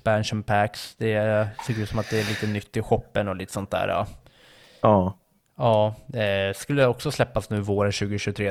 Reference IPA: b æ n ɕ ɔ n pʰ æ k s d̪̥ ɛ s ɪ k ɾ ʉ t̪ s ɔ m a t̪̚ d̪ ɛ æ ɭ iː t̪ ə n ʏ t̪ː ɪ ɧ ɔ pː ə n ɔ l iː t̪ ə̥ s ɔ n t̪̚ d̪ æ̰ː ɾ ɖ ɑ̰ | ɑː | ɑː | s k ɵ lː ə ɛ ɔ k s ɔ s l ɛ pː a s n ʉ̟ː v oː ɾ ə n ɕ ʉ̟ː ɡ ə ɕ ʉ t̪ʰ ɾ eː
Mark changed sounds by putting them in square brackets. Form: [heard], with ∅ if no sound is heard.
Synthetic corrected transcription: b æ n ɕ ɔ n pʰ æ k s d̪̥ ɛ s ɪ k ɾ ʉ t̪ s ɔ m a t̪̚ d̪ ɛ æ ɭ iː t̪ ə n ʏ t̪ː ɪ ɧ ɔ pː ə n ɔ l iː t̪ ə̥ s ɔ n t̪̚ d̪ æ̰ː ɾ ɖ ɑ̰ | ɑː | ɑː | s k ɵ lː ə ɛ ɔ k s ɔ s l ɛ pː a s n ʉ̟ː v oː ɾ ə n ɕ ʉ̟ː ɡ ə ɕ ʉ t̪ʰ ɾ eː